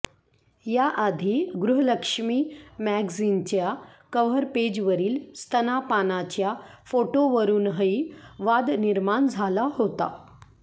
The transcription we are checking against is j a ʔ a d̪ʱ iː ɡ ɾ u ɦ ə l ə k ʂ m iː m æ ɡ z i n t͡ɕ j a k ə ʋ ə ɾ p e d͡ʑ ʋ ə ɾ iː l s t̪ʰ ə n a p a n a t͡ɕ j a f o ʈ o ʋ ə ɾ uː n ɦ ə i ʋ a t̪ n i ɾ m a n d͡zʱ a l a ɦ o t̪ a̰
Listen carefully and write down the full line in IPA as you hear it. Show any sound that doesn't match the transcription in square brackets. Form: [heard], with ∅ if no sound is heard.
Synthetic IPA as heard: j a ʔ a d̪ʱ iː ɡ ɾ u ɦ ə l ə k ʂ m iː m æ ɡ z i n t͡ɕ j a k ə ʋ ə ɾ p e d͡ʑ ʋ ə ɾ iː l s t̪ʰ ə n a p a n a t͡ɕ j a f o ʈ o ʋ ə ɾ uː n ɦ ə i ʋ a [d̪] n i ɾ m a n d͡zʱ a l a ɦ o t̪ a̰